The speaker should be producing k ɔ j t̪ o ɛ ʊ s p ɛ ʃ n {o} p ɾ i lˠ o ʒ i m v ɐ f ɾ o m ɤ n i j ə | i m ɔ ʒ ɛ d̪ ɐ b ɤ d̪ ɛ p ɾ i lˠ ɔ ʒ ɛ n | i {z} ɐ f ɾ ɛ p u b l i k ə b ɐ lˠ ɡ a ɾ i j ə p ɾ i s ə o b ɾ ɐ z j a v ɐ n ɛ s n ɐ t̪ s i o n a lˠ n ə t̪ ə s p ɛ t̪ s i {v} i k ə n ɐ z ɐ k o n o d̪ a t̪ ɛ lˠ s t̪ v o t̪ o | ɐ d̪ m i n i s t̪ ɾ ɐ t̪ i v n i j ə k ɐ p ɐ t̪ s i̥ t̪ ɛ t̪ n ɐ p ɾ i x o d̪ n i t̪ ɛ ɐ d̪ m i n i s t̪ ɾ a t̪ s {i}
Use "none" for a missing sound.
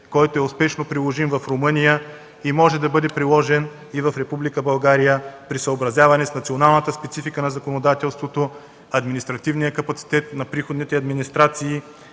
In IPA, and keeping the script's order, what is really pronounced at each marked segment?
o, v, f, iː

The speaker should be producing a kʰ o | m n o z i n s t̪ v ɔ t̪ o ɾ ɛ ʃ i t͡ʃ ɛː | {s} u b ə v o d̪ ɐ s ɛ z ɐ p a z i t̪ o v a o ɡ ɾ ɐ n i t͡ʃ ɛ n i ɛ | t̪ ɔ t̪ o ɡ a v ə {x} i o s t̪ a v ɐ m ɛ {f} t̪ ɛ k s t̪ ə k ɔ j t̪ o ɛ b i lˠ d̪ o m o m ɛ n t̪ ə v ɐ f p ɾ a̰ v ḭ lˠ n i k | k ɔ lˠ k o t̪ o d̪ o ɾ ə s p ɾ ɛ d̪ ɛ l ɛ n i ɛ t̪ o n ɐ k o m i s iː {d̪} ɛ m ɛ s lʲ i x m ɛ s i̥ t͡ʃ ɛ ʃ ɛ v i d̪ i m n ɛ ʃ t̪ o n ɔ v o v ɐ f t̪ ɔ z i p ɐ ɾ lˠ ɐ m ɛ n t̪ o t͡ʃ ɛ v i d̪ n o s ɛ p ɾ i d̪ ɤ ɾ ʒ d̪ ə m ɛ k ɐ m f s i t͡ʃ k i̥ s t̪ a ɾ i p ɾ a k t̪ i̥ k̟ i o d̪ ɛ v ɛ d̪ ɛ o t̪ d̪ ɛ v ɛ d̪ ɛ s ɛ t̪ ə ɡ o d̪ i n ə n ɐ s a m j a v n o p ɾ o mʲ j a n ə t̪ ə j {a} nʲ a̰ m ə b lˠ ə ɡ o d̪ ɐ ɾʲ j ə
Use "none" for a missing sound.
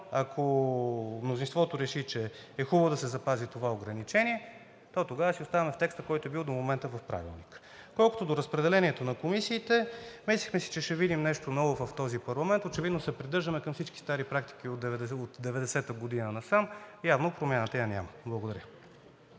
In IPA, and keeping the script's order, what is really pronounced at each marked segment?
x, s, f, t̪, a

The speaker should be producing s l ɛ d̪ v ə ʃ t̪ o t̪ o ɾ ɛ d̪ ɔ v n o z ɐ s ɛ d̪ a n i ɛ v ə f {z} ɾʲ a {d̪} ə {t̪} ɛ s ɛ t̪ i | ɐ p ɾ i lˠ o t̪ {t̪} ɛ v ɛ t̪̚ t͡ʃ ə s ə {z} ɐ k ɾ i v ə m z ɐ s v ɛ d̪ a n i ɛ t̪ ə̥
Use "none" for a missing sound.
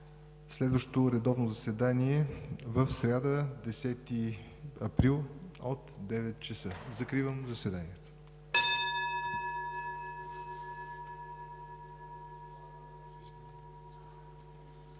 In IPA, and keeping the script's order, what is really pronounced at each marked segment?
s, d̪, d̪, d̪, z

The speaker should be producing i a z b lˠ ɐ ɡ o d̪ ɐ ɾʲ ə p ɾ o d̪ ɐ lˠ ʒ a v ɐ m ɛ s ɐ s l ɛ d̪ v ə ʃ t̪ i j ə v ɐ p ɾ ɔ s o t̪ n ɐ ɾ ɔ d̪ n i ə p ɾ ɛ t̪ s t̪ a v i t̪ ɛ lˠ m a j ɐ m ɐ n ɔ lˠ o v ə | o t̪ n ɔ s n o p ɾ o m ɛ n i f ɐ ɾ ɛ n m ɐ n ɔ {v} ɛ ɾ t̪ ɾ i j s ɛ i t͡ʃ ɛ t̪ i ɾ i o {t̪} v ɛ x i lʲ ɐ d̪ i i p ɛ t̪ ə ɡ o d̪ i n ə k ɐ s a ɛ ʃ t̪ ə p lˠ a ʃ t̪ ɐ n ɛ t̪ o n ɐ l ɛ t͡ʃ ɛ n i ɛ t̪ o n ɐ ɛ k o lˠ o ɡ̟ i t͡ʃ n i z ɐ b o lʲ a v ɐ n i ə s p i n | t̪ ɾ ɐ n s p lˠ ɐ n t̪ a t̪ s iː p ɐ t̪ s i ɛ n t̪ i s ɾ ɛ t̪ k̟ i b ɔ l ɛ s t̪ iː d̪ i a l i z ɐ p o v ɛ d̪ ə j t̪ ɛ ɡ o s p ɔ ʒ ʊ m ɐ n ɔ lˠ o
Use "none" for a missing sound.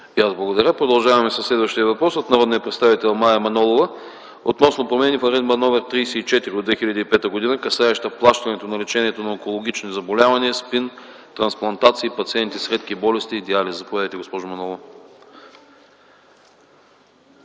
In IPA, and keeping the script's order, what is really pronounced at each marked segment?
v, d̪

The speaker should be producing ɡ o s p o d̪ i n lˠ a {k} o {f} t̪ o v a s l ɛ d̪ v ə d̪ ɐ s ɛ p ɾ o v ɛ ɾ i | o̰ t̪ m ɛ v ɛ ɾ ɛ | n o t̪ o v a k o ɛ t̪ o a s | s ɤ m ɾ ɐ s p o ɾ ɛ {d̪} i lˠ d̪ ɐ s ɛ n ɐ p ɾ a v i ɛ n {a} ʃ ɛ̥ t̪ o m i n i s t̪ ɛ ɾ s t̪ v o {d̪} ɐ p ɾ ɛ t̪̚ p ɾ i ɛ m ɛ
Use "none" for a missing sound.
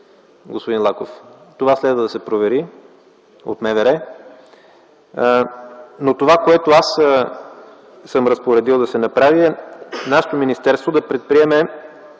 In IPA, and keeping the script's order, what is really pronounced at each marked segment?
k, f, d̪, a, d̪

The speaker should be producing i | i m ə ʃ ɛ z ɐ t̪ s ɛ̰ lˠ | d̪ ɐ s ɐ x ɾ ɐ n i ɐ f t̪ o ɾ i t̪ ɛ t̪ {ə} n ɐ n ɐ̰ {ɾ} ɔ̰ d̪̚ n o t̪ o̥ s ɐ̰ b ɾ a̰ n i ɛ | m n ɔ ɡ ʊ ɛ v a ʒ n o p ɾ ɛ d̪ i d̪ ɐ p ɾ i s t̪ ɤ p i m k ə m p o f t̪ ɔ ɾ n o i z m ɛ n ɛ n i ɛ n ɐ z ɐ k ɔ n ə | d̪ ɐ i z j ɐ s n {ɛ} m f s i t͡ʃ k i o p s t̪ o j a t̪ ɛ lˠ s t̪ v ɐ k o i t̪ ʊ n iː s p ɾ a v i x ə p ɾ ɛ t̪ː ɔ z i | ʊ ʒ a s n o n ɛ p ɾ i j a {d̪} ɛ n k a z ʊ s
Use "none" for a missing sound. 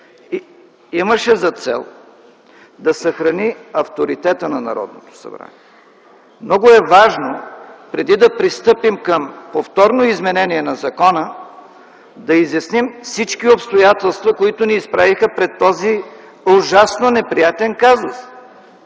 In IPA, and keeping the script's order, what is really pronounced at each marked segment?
ə, ɾ, i, t̪

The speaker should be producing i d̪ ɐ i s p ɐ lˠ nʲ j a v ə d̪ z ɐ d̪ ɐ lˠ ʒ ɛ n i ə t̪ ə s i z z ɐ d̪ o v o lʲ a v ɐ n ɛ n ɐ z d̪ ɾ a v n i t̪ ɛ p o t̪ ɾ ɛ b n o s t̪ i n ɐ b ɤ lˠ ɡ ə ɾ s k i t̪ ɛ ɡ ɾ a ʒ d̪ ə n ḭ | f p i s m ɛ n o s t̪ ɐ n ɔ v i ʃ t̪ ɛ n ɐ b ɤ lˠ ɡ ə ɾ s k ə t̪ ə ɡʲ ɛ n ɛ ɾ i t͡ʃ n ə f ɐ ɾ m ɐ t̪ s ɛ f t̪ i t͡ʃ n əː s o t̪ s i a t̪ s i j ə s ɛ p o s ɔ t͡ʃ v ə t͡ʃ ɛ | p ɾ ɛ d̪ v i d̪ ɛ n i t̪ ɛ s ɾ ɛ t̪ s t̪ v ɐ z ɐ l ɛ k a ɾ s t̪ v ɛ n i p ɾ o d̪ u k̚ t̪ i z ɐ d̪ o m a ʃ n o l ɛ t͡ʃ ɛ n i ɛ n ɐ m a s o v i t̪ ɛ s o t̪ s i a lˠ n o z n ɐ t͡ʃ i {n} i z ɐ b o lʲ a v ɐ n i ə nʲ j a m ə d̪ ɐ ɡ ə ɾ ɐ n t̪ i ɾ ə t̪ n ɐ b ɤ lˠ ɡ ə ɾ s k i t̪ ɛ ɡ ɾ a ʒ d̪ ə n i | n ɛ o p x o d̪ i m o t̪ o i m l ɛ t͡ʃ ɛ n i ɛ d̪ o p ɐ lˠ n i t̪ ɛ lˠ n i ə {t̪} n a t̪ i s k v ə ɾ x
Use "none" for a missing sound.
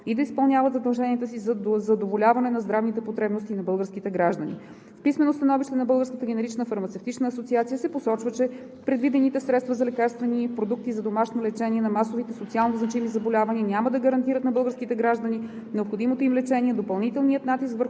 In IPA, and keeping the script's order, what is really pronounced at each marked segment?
m, t̪

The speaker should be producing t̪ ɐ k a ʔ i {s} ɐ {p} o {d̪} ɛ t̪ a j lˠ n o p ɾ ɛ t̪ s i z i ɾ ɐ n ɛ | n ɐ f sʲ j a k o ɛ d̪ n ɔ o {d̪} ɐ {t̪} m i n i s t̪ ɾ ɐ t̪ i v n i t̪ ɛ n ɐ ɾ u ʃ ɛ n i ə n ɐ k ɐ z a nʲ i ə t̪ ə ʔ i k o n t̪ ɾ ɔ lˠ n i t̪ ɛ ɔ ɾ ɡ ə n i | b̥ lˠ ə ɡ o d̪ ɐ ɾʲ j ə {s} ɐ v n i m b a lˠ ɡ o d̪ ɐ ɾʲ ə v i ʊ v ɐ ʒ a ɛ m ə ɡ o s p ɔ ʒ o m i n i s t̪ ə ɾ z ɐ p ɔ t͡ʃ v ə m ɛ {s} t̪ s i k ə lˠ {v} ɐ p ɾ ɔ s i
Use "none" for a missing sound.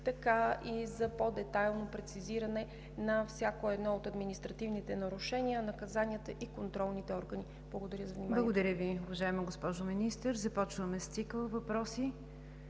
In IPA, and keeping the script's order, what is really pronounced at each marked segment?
z, p, d̪, t̪, d̪, z, s, v

